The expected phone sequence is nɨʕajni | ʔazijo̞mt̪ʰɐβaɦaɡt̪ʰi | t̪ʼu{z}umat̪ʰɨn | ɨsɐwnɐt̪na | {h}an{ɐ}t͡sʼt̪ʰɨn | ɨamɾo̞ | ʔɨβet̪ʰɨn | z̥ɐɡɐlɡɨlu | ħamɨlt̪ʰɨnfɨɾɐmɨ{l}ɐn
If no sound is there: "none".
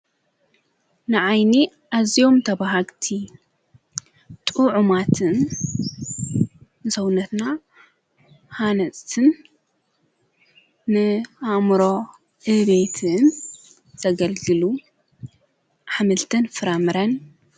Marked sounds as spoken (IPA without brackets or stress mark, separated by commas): ʕ, h, ɐ, ɾ